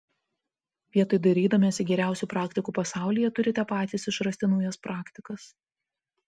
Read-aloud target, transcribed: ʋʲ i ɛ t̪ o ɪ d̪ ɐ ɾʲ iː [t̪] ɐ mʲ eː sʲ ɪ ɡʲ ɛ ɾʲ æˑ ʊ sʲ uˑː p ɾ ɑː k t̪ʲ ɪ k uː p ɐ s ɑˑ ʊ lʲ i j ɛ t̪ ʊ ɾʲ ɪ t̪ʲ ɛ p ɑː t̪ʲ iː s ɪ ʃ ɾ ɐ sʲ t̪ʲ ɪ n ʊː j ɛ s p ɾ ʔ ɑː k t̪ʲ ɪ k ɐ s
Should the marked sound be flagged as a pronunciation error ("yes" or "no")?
yes